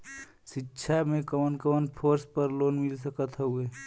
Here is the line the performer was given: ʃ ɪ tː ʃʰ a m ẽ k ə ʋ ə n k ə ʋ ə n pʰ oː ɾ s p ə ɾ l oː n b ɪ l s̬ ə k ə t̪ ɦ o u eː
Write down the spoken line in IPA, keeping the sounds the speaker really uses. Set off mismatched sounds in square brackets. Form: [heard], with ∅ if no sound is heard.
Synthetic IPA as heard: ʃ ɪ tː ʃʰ a m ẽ k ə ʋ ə n k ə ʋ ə n pʰ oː ɾ s p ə ɾ l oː n [m] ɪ l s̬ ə k ə t̪ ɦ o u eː